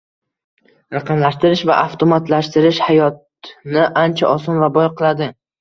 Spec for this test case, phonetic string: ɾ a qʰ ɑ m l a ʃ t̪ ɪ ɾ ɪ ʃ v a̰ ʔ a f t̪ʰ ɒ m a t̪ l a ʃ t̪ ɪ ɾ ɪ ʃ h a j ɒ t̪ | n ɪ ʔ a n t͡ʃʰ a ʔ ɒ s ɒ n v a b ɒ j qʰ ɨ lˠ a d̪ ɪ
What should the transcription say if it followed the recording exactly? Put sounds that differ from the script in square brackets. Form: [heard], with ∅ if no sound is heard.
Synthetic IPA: ɾ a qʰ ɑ m l a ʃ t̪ ɪ ɾ ɪ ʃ v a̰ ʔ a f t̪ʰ [o] m a t̪ l a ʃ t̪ ɪ ɾ ɪ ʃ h a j ɒ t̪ | n ɪ ʔ a n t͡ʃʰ a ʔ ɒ s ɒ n v a b ɒ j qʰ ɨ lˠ a d̪ ɪ